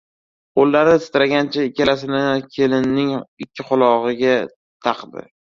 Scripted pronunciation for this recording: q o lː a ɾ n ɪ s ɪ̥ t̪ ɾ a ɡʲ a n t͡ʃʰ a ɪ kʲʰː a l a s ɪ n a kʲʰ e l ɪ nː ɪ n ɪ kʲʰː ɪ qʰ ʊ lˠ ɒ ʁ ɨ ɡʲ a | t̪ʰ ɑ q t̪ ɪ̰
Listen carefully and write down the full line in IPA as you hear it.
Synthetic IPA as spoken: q o lː a ɾ n ɪ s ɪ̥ t̪ ɾ a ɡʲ a n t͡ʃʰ a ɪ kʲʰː a l a s ɪ n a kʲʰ e l ɪ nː ɪ ŋ ɪ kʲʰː ɪ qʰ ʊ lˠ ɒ ʁ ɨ ɡʲ a | t̪ʰ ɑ q d̪ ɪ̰